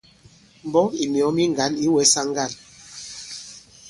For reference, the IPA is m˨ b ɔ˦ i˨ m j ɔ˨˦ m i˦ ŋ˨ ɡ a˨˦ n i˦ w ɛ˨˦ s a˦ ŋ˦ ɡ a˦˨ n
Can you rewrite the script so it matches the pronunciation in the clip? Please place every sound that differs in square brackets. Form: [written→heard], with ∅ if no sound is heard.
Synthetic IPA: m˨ b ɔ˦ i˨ m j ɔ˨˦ m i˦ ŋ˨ ɡ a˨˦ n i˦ w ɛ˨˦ s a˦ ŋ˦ ɡ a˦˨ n